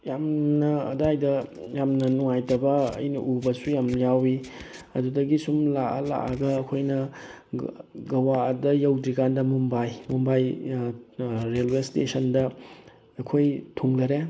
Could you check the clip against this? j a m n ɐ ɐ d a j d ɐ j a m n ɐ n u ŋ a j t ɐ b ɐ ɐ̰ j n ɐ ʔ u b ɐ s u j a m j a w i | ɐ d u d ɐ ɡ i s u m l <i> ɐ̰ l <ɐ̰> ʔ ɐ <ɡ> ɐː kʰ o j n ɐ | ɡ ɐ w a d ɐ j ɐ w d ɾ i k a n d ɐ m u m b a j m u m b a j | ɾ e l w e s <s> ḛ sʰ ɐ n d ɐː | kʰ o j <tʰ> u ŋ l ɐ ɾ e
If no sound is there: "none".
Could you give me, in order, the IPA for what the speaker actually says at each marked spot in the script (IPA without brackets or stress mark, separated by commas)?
a, a̰, ɡ, t, tʰ